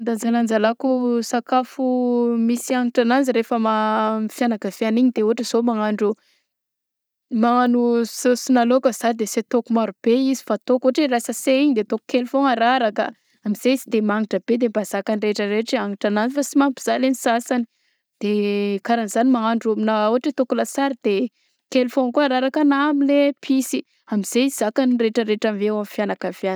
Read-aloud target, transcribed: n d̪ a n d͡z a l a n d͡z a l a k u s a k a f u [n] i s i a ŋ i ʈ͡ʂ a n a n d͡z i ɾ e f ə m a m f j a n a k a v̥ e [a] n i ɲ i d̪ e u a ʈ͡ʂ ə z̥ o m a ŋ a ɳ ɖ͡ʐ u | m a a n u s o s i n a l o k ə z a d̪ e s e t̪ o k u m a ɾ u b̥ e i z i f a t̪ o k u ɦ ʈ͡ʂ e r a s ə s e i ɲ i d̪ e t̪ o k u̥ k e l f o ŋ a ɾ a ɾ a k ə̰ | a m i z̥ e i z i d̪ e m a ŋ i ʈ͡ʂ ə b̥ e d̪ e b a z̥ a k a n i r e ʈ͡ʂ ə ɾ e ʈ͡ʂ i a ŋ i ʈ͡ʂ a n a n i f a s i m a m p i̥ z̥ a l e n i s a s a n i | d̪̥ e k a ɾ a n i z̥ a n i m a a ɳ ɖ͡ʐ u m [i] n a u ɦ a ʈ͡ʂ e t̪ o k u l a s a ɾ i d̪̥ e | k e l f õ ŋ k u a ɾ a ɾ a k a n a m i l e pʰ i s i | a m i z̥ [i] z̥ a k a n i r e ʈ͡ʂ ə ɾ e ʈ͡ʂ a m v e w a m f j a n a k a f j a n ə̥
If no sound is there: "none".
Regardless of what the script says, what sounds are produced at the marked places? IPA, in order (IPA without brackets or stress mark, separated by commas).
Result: m, a, i, e